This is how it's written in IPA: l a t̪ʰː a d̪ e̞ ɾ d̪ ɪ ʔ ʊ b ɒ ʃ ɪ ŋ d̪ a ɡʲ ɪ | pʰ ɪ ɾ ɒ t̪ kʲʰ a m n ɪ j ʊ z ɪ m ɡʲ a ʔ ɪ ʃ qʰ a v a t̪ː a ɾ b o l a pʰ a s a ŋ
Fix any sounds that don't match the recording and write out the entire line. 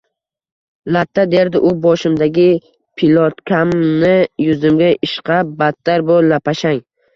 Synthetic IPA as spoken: l a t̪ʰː a d̪ e̞ ɾ d̪ ɪ ʔ ʊ b ɒ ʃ ɪ m d̪ a ɡʲ ɪ | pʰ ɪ l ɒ t̪ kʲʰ a m n ɪ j ʊ z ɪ m ɡʲ a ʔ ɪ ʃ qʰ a b a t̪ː a ɾ b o l a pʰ a ʃ a ŋ

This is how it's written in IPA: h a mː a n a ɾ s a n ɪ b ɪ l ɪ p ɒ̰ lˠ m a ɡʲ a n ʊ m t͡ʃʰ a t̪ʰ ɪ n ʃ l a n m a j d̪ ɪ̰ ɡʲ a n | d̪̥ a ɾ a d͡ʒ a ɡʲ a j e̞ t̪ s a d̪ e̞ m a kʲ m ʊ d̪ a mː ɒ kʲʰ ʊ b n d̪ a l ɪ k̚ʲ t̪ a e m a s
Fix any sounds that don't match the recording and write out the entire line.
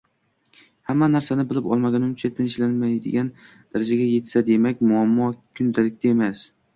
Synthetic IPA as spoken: h a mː a n a ɾ s a n ɪ b ɪ l ɪ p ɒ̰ lˠ m a ɡʲ a n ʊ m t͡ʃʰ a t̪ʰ ɪ n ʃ l a n m a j d̪ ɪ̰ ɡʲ a n | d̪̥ a ɾ a d͡ʒ a ɡʲ a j e̞ t̪ s a d̪ e̞ m a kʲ m ʊ a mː ɒ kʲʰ ʊ n d̪ a l ɪ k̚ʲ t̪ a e m a s

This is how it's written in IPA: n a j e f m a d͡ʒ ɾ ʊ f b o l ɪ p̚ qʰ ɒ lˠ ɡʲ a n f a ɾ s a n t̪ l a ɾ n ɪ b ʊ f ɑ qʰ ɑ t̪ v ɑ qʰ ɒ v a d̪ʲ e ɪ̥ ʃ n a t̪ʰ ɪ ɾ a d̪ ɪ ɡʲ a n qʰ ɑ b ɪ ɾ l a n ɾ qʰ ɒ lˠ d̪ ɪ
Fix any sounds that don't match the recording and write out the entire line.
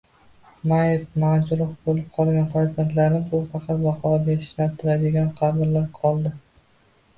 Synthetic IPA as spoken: m a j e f m a d͡ʒ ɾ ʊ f b o l ɪ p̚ qʰ ɒ lˠ ɡʲ a n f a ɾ z a n t̪ l a ɾ n ɪ b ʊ f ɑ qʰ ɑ t̪ v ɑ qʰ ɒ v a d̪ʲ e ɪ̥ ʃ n a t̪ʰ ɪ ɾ a d̪ ɪ ɡʲ a n qʰ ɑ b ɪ ɾ l a ɾ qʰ ɒ lˠ d̪ ɪ

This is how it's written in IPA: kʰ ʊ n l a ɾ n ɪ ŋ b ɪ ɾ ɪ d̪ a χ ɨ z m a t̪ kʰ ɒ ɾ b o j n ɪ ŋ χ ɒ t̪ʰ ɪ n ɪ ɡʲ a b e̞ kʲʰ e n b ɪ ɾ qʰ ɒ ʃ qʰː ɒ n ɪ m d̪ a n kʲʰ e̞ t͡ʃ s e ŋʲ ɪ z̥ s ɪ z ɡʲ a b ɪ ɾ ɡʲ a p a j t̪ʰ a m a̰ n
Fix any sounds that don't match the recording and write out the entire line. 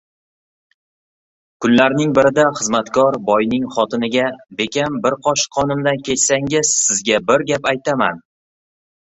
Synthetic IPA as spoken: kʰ ʊ n l a ɾ n ɪ ŋ b ɪ ɾ ɪ d̪ a χ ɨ z m a t̪ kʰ ɒ ɾ b ɒ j n ɪ ŋ χ ɒ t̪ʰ ɪ n ɪ ɡʲ a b e̞ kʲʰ a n b ɪ ɾ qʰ ɒ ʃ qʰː ɒ n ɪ m d̪ a n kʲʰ e̞ t͡ʃ s a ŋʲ ɪ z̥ s ɪ z ɡʲ a b ɪ ɾ ɡʲ a p a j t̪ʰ a m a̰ n

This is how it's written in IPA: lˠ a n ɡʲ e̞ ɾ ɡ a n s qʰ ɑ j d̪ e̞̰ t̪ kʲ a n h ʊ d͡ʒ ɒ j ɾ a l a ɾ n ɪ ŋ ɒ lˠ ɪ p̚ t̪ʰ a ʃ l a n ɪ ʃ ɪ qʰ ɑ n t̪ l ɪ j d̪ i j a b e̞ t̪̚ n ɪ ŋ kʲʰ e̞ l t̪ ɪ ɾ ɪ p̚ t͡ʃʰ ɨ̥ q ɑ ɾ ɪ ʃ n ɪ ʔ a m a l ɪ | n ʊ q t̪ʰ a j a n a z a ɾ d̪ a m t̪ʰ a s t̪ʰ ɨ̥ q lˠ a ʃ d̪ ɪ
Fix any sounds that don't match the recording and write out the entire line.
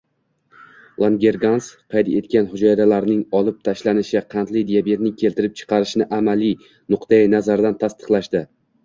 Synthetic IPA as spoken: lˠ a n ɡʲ e̞ ɾ ɡ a n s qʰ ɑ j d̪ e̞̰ t̪ kʲ a n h ʊ d͡ʒ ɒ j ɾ a l a ɾ n ɪ ŋ ɒ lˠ ɪ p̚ t̪ʰ a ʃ l a n ɪ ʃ ɪ qʰ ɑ n t̪ l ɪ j d̪ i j a b e̞ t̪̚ n ɪ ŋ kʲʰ e̞ l t̪ ɪ ɾ ɪ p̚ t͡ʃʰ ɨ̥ q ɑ ɾ ɪ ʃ n ɪ ʔ a m a l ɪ | n ʊ q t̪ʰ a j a n a z a ɾ d̪ a n t̪ʰ a s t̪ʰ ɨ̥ q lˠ a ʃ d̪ ɪ

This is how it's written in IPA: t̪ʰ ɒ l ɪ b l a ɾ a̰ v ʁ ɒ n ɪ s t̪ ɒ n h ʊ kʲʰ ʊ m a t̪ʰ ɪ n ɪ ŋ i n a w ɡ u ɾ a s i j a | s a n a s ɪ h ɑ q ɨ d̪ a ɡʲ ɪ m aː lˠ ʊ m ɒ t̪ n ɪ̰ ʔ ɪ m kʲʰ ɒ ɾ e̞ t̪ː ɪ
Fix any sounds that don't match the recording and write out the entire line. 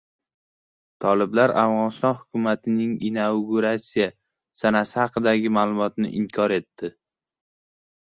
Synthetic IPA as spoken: t̪ʰ ɒ l ɪ b l a ɾ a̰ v ʁ ɒ n ɪ s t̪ ɒ n h ʊ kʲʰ ʊ m a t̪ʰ ɪ n ɪ ŋ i n a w ɡ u ɾ a s i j a | s a n a s ɪ h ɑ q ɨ d̪ a ɡʲ ɪ m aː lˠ ʊ m ɒ t̪ n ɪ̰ ʔ ɪ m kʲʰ ɒ ɾ e̞ t̪ː ɪ

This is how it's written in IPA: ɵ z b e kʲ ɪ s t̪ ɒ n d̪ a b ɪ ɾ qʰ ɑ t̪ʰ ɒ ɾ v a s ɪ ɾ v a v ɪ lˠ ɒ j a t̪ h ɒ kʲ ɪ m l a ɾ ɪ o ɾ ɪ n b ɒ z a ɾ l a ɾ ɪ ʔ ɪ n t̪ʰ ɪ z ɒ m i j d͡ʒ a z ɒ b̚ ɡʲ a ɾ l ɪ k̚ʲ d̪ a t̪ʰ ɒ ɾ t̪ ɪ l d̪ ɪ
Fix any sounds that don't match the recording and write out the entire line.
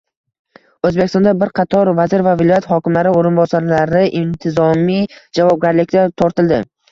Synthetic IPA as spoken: ɵ z b e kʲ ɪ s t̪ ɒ n d̪ a b ɪ ɾ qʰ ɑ t̪ʰ ɒ ɾ v a z ɪ ɾ v a v ɪ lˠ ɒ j a t̪ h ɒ kʲ ɪ m l a ɾ ɪ o ɾ ɪ n b ɒ s a ɾ l a ɾ ɪ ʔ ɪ n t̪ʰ ɪ z ɒ m i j d͡ʒ a v ɒ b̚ ɡʲ a ɾ l ɪ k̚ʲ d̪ a t̪ʰ ɒ ɾ t̪ ɪ l d̪ ɪ

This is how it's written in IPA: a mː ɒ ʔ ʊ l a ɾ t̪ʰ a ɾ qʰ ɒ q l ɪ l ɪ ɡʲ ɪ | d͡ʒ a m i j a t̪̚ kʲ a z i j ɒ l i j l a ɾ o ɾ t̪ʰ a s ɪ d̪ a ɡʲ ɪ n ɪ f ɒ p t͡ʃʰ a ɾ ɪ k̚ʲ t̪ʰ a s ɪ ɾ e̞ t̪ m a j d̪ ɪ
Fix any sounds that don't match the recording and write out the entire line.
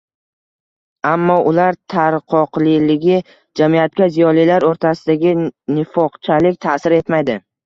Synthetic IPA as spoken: a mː ɒ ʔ ʊ l a ɾ t̪ʰ a ɾ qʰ ɒ q l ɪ l ɪ ɡʲ ɪ | d͡ʒ a m i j a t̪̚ kʲ a z i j ɒ l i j l a ɾ o ɾ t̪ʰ a s ɪ d̪ a ɡʲ ɪ n ɪ f ɒ q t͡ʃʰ a l ɪ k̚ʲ t̪ʰ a s ɪ ɾ e̞ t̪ m a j d̪ ɪ

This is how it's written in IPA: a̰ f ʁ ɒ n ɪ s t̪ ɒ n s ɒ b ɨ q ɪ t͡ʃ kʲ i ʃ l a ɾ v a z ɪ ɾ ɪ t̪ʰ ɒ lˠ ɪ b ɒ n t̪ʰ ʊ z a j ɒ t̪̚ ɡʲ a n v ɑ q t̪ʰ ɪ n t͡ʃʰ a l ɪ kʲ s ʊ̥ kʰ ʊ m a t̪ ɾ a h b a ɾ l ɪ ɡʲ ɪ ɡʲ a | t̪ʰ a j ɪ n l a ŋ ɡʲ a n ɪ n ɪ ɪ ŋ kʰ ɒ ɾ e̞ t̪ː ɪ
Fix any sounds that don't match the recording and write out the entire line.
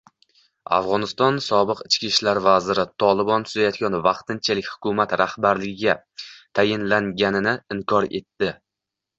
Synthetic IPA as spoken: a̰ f ʁ ɒ n ɪ s t̪ ɒ n s ɒ b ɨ q ɪ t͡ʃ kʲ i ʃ l a ɾ v a z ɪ ɾ ɪ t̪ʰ ɒ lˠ ɪ b ɒ n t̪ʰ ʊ z a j ɒ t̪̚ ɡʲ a n v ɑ q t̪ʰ ɪ n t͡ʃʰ a l ɪ kʲ h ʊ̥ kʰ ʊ m a t̪ ɾ a h b a ɾ l ɪ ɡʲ ɪ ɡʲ a | t̪ʰ a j ɪ n l a ŋ ɡʲ a n ɪ n ɪ ɪ ŋ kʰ ɒ ɾ e̞ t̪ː ɪ

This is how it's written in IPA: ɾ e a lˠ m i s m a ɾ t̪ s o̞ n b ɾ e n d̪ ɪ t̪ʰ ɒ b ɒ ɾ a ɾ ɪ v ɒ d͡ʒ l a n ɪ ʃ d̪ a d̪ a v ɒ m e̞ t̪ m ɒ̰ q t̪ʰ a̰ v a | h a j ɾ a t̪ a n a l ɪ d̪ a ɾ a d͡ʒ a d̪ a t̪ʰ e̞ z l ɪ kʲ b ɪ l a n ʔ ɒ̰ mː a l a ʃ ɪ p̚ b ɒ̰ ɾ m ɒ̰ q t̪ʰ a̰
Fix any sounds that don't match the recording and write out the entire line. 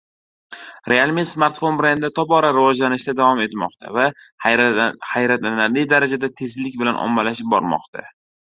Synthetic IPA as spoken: ɾ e a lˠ m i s m a ɾ t̪ f o̞ n b ɾ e n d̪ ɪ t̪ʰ ɒ b ɒ ɾ a ɾ ɪ v ɒ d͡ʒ l a n ɪ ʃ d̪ a d̪ a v ɒ m e̞ t̪ m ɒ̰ q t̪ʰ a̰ v a | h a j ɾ a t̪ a n a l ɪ d̪ a ɾ a d͡ʒ a d̪ a t̪ʰ e̞ z l ɪ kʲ b ɪ l a n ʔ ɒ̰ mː a l a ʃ ɪ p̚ b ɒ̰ ɾ m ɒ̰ q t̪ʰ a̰

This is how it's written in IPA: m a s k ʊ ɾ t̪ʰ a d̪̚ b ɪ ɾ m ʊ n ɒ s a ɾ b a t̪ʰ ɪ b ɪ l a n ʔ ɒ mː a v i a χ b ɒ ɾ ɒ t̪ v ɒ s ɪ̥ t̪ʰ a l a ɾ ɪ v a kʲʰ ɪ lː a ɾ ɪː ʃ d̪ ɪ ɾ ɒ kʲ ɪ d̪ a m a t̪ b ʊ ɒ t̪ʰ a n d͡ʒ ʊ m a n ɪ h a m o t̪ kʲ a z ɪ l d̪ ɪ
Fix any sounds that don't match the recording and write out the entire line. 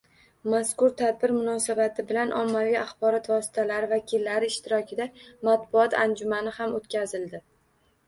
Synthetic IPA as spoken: m a s k ʊ ɾ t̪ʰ a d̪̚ b ɪ ɾ m ʊ n ɒ s a b a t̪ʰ ɪ b ɪ l a n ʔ ɒ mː a v i a χ b ɒ ɾ ɒ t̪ v ɒ s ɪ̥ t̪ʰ a l a ɾ ɪ v a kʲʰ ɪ lː a ɾ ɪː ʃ t̪ ɪ ɾ ɒ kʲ ɪ d̪ a m a t̪ b ʊ ɒ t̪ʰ a n d͡ʒ ʊ m a n ɪ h a m o t̪ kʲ a z ɪ l d̪ ɪ

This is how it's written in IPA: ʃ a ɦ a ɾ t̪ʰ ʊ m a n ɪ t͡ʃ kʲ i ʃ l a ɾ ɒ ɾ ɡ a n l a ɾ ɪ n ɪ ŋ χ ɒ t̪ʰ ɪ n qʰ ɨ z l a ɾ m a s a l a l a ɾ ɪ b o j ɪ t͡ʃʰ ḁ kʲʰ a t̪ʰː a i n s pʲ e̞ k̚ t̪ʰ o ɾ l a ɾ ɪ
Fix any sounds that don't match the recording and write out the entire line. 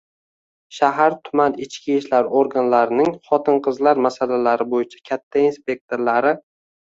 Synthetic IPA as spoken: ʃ a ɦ a ɾ t̪ʰ ʊ m a n ɪ t͡ʃ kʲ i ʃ l a ɾ o ɾ ɡ a n l a ɾ ɪ n ɪ ŋ χ ɒ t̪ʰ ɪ n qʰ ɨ z l a ɾ m a s a l a l a ɾ ɪ b o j ɪ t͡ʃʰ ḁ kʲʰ a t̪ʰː a i n s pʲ e̞ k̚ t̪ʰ o ɾ l a ɾ ɪ

